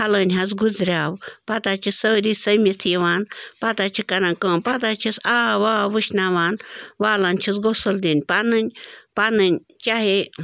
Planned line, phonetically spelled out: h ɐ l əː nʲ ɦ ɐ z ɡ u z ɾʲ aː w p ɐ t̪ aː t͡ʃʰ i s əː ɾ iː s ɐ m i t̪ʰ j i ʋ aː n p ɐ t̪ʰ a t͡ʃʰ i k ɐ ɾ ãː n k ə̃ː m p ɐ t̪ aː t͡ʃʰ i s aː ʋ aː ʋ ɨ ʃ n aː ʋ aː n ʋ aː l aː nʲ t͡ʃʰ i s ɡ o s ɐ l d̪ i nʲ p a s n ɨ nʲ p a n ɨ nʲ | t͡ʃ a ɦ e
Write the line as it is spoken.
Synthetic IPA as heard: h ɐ l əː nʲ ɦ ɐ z ɡ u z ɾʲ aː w p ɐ t̪ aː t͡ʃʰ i s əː ɾ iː s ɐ m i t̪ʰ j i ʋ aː n p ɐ t̪ a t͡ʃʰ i k ɐ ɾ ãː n k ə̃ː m p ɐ t̪ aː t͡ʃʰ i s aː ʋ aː ʋ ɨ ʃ n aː ʋ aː n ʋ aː l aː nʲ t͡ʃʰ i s ɡ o s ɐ l d̪ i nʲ p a n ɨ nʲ p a n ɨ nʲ | t͡ʃ a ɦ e

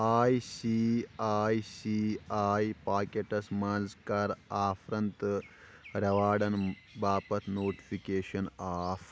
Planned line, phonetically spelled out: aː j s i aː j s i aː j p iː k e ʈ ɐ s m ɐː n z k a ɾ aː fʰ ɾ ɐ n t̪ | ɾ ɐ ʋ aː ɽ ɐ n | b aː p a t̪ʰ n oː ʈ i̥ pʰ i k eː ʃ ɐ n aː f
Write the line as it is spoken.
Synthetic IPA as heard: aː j s i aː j s i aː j p aː k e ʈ ɐ s m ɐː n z k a ɾ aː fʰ ɾ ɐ n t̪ | ɾ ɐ ʋ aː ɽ ɐ n | b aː p ɐ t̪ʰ n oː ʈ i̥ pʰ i k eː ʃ ɐ n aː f

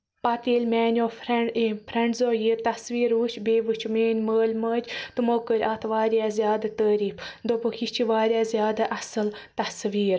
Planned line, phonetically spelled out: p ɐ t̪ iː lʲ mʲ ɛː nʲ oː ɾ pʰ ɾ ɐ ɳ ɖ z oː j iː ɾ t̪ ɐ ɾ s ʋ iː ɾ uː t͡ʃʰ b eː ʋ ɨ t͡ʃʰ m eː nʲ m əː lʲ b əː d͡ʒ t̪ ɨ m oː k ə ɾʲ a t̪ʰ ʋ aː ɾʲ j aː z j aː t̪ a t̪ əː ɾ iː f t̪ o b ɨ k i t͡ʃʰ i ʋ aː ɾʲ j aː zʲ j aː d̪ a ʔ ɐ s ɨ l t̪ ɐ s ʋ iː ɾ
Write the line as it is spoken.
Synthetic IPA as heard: p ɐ t̪ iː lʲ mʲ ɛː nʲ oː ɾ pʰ ɾ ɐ ɳ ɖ z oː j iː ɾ t̪ ɐ s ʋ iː ɾ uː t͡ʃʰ b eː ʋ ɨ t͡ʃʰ m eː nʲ m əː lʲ m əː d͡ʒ t̪ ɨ m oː k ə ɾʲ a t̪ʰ ʋ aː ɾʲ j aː z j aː d̪ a t̪ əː ɾ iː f d̪ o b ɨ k i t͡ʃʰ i ʋ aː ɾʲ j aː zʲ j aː d̪ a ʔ ɐ s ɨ l t̪ ɐ s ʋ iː ɾ

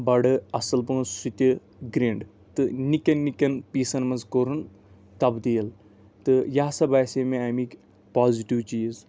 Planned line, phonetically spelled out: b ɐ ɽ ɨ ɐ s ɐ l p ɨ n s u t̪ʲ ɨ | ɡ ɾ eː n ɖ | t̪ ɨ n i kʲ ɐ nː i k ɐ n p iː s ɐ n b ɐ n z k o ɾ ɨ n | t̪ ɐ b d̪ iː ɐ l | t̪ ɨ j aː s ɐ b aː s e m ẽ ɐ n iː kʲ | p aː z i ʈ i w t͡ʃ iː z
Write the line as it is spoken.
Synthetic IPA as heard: b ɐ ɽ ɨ ɐ s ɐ l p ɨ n s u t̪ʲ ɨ | ɡ ɾ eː ɳ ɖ | t̪ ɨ n i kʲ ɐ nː i k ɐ n p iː s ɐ n m ɐ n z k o ɾ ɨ n | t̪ ɐ b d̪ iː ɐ l | t̪ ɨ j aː s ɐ b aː s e m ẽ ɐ m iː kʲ | p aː z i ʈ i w t͡ʃ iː z

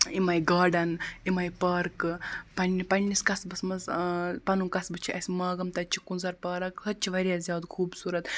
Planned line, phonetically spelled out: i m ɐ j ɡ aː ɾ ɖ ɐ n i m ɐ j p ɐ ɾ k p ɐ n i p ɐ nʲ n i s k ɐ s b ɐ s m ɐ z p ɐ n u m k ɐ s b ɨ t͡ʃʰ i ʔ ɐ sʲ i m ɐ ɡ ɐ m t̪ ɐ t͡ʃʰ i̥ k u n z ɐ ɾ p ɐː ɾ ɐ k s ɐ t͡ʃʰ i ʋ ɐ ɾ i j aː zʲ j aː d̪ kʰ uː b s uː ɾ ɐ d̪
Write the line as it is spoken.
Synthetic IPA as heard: i m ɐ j ɡ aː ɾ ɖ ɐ n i m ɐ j p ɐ ɾ k p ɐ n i p ɐ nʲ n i s k ɐ s b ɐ s m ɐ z p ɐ n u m k ɐ s b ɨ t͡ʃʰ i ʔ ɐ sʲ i m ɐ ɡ ɐ m t̪ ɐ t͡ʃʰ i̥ k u n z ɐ ɾ p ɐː ɾ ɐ k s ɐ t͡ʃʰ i ʋ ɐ ɾ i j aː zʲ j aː d̪ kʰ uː b s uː ɾ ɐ t̪

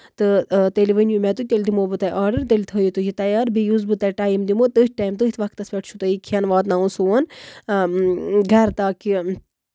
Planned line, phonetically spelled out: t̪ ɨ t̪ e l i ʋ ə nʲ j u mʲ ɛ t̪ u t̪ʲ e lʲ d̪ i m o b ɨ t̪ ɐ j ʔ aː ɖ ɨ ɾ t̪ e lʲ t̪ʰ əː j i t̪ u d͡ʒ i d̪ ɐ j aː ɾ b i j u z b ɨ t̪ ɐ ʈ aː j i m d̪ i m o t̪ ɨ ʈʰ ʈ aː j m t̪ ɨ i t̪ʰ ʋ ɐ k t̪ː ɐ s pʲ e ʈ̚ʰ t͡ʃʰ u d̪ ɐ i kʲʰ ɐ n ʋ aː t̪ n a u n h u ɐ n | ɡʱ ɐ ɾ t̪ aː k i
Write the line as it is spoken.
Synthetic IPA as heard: t̪ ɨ t̪ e l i ʋ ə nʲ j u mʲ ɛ t̪ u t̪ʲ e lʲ d̪ i m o b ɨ t̪ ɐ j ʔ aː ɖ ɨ ɾ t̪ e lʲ t̪ʰ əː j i t̪ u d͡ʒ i t̪ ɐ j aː ɾ b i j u z b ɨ t̪ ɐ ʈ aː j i m d̪ i m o t̪ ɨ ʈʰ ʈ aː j m t̪ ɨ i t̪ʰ ʋ ɐ k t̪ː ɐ s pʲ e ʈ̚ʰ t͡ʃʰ u t̪ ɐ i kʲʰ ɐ n ʋ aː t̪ n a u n s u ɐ n | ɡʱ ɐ ɾ t̪ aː k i

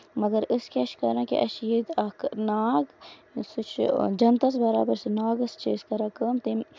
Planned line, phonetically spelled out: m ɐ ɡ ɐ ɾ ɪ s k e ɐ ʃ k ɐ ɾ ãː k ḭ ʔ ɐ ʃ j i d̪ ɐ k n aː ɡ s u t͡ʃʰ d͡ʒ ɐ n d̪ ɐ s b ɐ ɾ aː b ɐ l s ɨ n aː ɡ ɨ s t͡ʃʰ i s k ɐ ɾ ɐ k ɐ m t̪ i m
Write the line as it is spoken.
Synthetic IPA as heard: m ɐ ɡ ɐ ɾ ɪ s k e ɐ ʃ k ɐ ɾ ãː k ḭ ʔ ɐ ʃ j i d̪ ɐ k n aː ɡ s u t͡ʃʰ d͡ʒ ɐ n t̪ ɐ s b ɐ ɾ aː b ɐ ɾ s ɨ n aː ɡ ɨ s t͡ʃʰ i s k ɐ ɾ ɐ k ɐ m t̪ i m

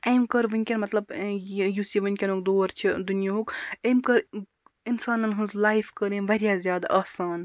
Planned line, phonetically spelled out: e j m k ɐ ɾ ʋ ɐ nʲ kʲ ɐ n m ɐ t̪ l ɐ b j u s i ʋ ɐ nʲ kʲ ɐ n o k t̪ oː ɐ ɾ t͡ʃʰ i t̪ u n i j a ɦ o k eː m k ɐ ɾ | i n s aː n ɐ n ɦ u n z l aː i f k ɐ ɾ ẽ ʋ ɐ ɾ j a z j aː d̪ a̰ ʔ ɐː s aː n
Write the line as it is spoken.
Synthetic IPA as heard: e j m k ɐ ɾ ʋ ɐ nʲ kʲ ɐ n m ɐ t̪ l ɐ b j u s i ʋ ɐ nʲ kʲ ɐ n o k d̪ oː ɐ ɾ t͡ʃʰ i d̪ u n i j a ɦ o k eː m k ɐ ɾ | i n s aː n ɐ n ɦ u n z l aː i f k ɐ ɾ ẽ ʋ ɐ ɾ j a z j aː d̪ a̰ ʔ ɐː s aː n

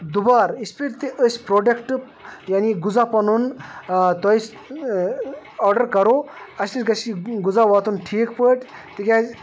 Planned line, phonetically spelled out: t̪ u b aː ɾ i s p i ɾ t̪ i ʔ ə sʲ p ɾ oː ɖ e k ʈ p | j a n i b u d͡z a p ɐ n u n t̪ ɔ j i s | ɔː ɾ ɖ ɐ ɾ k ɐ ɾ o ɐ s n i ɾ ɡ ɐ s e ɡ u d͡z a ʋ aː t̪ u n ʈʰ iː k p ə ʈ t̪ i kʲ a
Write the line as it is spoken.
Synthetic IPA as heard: d̪ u b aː ɾ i s p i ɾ t̪ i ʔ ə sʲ p ɾ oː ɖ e k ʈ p | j a n i ɡ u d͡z a p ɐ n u n t̪ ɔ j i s | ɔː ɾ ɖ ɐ ɾ k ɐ ɾ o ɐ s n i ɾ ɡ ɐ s i ɡ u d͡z a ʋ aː t̪ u n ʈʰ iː k p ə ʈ t̪ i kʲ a

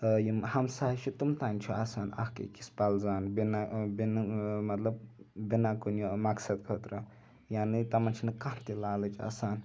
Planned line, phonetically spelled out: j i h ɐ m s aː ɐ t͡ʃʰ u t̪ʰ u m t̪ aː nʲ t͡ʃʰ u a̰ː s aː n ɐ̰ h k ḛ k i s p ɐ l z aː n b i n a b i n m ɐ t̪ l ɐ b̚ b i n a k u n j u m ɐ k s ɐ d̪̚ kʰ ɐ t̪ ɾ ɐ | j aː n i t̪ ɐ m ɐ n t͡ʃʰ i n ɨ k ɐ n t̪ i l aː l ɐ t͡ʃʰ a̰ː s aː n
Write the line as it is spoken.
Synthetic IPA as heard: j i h ɐ m s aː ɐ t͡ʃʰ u t̪ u m t̪ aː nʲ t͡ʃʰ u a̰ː s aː n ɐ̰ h k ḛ k i s p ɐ l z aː n b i n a b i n m ɐ t̪ l ɐ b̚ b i n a k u n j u m ɐ k s ɐ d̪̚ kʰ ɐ t̪ ɾ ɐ | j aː n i t̪ ɐ m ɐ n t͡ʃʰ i n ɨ k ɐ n t̪ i l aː l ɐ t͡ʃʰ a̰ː s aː n

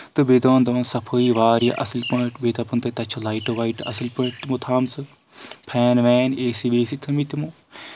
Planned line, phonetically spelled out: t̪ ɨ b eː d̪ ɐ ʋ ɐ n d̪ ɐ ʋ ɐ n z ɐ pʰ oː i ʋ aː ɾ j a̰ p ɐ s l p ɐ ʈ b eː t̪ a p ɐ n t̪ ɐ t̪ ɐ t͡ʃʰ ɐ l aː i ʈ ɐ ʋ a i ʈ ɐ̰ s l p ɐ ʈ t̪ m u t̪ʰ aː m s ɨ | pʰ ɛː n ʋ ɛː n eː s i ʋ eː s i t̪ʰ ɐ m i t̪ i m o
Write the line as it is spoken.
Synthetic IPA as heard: t̪ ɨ b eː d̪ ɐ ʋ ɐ n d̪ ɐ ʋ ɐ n s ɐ pʰ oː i ʋ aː ɾ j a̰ ʔ ɐ s l p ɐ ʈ b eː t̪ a p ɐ n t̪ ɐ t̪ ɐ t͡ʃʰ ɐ l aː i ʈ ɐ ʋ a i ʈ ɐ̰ s l p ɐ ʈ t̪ m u t̪ʰ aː m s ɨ | pʰ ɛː n ʋ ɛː n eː s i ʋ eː s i t̪ʰ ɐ m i t̪ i m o

